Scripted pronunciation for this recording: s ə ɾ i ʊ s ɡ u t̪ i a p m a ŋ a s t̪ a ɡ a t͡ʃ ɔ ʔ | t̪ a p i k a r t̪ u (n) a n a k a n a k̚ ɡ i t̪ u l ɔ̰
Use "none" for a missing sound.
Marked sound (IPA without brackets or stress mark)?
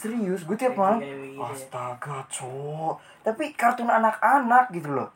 n